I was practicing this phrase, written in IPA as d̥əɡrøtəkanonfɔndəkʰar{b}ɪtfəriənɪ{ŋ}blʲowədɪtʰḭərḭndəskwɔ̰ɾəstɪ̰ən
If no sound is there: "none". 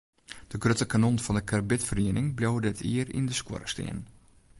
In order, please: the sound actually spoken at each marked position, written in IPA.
b, ŋ

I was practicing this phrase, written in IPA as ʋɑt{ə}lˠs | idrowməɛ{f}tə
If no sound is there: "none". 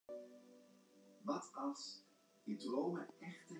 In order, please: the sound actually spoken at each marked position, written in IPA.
ɑ, χ

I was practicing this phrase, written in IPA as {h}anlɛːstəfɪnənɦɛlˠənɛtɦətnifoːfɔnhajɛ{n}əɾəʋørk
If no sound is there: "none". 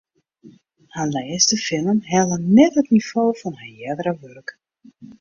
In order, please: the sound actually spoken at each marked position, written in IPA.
h, d

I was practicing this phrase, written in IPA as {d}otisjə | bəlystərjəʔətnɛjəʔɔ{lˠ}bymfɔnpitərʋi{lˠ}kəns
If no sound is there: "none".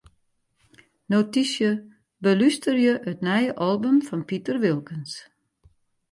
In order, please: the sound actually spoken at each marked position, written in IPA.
n, lˠ, lˠ

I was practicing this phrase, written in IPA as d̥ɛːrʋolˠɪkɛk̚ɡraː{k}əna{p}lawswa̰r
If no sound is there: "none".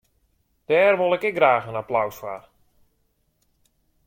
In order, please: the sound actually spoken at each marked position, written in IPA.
x, p

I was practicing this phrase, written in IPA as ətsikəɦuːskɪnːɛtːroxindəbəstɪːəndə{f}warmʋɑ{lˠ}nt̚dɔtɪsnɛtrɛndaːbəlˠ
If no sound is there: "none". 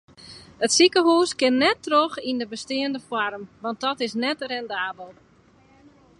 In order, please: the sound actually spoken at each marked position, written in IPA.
f, none

